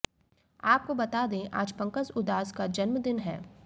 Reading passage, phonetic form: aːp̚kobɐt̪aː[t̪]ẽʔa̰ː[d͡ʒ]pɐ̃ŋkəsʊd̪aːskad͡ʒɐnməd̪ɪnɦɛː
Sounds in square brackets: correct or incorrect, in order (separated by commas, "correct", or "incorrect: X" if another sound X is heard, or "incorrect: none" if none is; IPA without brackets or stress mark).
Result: incorrect: d̪, correct